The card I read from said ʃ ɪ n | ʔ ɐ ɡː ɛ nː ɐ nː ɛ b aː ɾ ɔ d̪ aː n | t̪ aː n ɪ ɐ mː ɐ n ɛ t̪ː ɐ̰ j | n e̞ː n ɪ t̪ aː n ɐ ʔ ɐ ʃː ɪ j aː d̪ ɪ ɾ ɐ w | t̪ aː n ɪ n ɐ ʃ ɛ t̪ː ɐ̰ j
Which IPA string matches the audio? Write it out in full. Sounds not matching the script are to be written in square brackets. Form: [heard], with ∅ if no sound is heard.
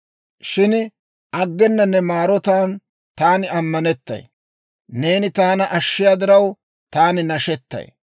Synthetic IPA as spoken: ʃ ɪ n | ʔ ɐ ɡː ɛ nː ɐ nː ɛ [m] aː ɾ ɔ [t̪] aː n | t̪ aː n ɪ ɐ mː ɐ n ɛ t̪ː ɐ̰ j | n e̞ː n ɪ t̪ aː n ɐ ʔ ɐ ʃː ɪ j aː d̪ ɪ ɾ ɐ w | t̪ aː n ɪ n ɐ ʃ ɛ t̪ː ɐ̰ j